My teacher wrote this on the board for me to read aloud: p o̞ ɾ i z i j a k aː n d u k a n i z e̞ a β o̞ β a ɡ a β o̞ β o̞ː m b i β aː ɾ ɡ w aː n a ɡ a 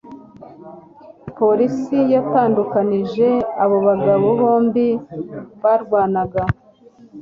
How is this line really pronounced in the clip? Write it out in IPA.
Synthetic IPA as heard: p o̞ ɾ i s i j a t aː n d u k a n i ʒ e̞ a β o̞ β a ɡ a β o̞ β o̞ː m b i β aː ɾ ɡ w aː n a ɡ a